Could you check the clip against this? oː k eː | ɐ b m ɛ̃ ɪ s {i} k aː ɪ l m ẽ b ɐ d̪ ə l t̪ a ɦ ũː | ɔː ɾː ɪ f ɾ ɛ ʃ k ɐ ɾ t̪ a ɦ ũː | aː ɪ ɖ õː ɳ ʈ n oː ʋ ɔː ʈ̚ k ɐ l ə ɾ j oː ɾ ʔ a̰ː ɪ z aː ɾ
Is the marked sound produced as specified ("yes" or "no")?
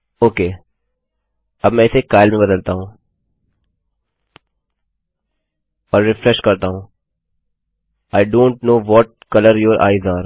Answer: no